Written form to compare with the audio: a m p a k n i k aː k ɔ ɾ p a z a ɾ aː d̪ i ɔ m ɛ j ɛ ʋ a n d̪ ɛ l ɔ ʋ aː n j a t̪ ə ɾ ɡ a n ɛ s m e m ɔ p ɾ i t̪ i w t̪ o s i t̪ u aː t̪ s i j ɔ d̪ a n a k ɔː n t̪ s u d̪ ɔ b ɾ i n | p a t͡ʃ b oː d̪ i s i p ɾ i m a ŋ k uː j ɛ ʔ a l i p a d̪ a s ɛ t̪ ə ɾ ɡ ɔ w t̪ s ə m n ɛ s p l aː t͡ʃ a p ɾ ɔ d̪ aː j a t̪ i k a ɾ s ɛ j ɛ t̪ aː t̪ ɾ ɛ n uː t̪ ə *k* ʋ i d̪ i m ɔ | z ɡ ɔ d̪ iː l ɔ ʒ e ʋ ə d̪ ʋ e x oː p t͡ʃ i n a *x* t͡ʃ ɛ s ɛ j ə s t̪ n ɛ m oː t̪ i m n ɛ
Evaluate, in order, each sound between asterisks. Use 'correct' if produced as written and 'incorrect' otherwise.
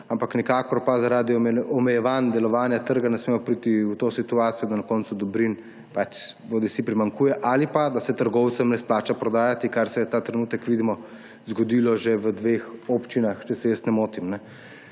correct, correct

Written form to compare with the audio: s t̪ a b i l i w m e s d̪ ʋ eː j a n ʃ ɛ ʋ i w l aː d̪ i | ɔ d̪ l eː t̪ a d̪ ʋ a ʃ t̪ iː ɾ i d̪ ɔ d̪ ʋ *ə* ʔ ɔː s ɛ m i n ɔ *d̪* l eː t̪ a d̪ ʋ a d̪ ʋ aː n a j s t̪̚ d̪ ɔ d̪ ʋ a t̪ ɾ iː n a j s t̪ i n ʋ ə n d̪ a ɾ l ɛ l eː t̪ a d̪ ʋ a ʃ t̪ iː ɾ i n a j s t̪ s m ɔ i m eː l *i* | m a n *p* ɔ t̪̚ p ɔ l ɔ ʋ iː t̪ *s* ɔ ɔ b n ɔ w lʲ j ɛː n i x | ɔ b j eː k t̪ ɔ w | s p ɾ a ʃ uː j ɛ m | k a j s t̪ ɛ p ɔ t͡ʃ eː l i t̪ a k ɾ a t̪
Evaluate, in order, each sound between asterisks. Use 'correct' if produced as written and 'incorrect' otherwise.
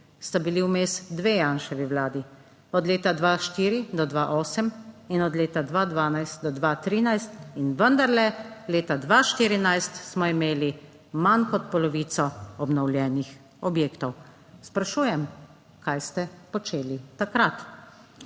incorrect, correct, correct, incorrect, correct

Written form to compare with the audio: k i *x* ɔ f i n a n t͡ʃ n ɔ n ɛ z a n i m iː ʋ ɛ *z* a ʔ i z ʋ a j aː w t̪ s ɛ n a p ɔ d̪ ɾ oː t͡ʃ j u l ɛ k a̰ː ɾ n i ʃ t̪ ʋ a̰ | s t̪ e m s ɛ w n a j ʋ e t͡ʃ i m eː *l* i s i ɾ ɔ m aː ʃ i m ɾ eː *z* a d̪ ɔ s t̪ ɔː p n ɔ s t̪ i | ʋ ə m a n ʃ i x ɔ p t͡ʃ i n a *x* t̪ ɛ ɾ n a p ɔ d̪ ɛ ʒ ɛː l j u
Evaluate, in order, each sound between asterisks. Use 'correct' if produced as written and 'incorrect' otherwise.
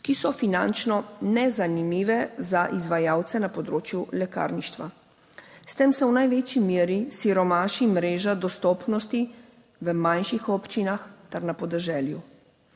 incorrect, correct, incorrect, incorrect, correct

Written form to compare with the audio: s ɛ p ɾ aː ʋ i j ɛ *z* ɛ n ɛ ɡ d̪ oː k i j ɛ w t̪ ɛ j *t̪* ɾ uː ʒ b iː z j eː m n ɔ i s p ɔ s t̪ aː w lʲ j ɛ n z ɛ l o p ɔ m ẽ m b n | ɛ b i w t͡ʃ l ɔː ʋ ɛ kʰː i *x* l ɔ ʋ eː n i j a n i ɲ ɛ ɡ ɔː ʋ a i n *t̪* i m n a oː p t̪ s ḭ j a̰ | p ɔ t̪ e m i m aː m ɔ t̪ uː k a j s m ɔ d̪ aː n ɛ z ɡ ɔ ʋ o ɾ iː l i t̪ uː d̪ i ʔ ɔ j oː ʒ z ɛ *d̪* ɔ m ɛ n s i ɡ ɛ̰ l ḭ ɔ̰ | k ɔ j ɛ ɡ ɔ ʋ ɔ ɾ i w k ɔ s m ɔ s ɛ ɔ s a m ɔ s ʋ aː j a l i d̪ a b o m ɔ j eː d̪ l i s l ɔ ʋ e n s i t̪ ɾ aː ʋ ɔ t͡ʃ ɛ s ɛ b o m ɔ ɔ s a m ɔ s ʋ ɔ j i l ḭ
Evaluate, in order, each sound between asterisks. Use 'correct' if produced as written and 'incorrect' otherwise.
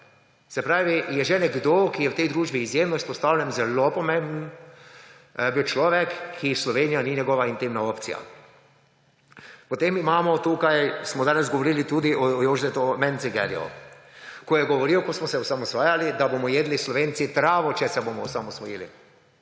incorrect, incorrect, incorrect, correct, incorrect

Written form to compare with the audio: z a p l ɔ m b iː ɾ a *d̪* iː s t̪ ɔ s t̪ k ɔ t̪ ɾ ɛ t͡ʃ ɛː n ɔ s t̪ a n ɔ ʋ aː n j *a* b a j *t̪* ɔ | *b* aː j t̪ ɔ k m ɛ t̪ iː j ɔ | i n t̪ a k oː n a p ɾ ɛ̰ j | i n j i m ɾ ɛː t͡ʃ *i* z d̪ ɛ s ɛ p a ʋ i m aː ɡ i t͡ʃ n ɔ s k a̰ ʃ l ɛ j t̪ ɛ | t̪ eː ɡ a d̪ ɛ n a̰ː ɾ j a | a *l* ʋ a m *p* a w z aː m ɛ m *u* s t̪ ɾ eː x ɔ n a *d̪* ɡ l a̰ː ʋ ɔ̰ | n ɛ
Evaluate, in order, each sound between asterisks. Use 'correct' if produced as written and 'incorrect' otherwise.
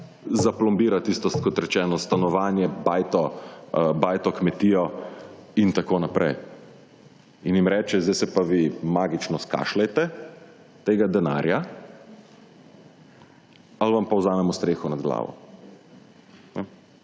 incorrect, incorrect, correct, correct, incorrect, correct, correct, incorrect, correct

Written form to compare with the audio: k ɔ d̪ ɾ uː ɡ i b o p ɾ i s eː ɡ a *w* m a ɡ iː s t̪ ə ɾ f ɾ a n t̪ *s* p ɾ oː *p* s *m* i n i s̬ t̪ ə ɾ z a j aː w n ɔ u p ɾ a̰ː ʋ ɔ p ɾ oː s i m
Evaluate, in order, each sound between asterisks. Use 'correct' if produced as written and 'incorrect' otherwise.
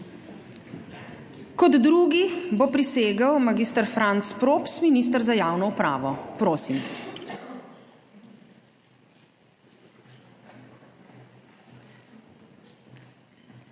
correct, correct, correct, correct

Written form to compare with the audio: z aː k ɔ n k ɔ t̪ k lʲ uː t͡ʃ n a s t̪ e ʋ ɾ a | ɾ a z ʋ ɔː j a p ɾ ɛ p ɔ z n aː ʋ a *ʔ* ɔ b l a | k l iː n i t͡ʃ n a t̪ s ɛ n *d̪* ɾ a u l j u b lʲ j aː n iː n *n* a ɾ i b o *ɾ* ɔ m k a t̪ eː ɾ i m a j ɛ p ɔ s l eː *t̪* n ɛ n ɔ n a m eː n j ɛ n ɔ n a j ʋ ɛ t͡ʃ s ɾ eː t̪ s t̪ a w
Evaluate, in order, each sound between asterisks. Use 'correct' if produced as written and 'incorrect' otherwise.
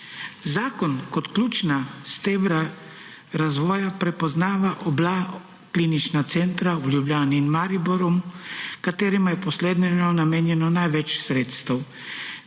correct, incorrect, incorrect, correct, incorrect

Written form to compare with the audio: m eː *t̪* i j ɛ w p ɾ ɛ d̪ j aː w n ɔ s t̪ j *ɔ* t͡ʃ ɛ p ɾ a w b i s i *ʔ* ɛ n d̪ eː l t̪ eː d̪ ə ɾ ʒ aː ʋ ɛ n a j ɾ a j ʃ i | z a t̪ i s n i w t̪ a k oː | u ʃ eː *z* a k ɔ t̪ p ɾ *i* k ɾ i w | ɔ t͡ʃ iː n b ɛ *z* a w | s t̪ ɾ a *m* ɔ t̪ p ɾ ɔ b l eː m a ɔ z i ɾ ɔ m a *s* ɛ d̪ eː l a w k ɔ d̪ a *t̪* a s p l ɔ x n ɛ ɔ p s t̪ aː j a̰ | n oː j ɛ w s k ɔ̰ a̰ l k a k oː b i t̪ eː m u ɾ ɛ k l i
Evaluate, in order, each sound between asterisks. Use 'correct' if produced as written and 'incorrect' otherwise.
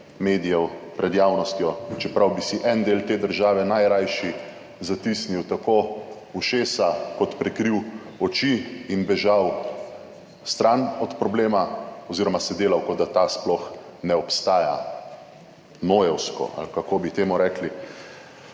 incorrect, correct, correct, incorrect, incorrect, incorrect, incorrect, correct, correct

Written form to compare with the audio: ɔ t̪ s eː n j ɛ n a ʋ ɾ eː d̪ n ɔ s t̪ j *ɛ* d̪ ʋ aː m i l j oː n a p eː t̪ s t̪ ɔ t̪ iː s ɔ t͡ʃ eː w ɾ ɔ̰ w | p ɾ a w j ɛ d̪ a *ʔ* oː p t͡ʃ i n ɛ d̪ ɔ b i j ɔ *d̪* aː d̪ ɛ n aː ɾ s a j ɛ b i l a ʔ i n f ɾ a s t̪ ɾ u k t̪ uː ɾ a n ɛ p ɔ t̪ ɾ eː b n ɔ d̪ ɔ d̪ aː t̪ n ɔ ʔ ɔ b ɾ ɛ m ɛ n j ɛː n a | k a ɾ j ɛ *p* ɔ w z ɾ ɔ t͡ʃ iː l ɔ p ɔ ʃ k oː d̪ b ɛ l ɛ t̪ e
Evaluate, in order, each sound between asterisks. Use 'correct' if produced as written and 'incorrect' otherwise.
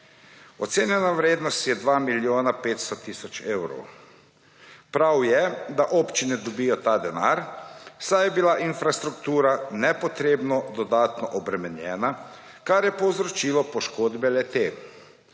correct, correct, incorrect, correct

